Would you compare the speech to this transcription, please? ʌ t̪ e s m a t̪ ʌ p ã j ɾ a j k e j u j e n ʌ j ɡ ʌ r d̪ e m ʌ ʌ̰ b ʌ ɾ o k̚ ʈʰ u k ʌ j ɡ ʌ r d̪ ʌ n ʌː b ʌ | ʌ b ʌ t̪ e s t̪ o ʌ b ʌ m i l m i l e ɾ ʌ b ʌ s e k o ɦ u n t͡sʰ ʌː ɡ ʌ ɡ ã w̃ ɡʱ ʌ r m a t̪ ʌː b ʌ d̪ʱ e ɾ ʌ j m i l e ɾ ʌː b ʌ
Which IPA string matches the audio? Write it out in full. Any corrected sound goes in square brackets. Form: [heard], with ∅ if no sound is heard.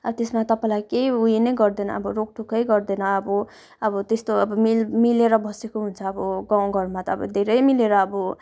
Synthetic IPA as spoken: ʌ t̪ e s m a t̪ ʌ p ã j [l] a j k e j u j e n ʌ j ɡ ʌ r d̪ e [n] ʌ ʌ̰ b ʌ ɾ o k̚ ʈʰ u k ʌ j ɡ ʌ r d̪ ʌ n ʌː b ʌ | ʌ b ʌ t̪ e s t̪ o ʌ b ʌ m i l m i l e ɾ ʌ b ʌ s e k o ɦ u n t͡sʰ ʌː [b] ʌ ɡ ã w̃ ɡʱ ʌ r m a t̪ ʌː b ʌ d̪ʱ e ɾ ʌ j m i l e ɾ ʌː b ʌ